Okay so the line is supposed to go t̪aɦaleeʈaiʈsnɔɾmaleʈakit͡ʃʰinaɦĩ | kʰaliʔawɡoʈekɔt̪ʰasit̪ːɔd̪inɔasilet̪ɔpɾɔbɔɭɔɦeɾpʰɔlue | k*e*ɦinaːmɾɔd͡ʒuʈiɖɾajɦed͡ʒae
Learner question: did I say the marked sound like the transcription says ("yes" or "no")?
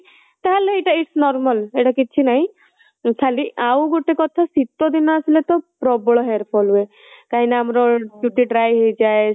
no